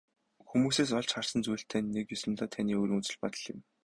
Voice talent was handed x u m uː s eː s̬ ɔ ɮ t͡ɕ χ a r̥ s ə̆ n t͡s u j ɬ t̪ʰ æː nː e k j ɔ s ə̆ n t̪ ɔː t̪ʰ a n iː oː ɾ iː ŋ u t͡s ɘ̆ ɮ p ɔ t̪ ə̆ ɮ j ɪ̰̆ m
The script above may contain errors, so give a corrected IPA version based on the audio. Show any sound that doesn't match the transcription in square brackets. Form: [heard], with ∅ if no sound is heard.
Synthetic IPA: x u m uː s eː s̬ ɔ ɮ t͡ɕ χ a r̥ s ə̆ n t͡s u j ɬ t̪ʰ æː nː e k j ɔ s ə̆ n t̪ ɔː t̪ʰ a n iː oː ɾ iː ŋ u t͡s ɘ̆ ɮ p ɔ t̪ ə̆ ɮ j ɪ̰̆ m